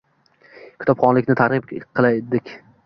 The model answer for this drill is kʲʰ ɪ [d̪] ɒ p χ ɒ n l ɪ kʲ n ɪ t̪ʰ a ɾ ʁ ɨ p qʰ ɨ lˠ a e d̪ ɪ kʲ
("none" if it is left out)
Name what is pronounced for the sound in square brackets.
t̪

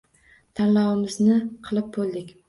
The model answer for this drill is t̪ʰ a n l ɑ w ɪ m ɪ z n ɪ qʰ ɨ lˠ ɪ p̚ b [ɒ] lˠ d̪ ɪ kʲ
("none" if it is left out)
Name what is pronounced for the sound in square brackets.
o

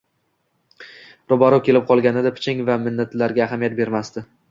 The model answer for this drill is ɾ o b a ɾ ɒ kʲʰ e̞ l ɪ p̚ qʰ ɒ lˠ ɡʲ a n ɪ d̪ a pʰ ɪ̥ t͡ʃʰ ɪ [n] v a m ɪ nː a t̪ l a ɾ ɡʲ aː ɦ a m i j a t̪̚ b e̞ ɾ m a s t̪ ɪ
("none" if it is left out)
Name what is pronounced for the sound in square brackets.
ŋ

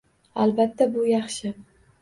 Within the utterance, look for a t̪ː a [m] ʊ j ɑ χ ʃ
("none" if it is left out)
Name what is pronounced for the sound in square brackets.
b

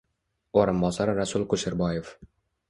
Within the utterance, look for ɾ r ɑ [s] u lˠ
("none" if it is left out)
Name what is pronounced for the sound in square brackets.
s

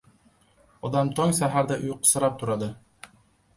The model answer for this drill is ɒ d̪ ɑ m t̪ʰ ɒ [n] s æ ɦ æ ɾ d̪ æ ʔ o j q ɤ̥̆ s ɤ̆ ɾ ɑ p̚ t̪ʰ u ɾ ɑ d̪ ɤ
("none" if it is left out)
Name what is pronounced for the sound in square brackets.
ŋ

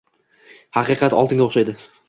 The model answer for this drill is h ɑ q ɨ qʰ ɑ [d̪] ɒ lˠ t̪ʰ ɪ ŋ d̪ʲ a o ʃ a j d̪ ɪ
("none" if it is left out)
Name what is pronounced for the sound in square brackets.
t̪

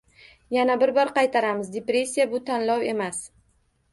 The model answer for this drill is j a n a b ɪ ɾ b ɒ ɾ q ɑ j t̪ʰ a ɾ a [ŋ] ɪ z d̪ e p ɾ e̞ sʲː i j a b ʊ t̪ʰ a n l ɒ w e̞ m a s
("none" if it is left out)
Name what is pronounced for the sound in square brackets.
m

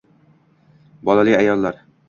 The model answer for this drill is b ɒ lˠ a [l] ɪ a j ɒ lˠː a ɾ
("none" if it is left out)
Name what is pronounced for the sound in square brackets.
l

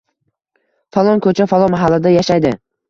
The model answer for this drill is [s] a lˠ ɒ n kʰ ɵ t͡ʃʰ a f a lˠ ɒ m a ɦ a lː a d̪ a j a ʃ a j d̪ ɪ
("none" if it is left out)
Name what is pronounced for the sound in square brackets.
f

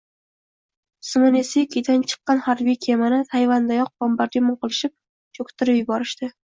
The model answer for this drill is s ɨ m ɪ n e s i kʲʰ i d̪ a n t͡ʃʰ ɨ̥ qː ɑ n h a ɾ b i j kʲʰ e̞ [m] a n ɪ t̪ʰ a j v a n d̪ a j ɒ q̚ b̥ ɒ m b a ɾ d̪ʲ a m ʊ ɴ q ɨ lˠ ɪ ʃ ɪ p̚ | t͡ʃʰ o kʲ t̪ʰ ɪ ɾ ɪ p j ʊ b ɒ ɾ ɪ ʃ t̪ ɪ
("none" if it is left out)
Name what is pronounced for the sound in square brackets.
m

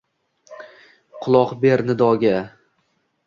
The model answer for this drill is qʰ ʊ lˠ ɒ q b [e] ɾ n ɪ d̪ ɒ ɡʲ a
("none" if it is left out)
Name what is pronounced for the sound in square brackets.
e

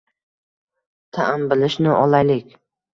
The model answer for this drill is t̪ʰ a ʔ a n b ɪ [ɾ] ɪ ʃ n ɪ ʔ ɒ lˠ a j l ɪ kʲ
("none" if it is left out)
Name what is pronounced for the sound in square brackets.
l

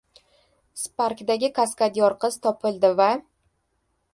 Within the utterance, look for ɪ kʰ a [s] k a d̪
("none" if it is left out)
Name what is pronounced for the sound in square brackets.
s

